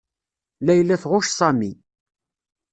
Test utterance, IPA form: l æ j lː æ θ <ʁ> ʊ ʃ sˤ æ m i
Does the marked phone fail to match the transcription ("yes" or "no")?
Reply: no